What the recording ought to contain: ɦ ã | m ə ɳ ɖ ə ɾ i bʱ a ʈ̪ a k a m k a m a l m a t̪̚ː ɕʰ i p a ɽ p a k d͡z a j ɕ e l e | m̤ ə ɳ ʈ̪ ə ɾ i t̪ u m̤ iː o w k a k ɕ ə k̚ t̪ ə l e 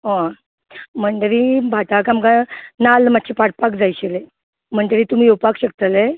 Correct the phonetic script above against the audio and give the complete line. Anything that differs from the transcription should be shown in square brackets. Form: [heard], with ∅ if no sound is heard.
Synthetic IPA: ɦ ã | m ə ɳ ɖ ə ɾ i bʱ a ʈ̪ a k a m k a [n] a l m a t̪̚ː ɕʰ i p a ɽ p a k d͡z a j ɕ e l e | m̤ ə ɳ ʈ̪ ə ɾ i t̪ u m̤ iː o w [p] a k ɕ ə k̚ t̪ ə l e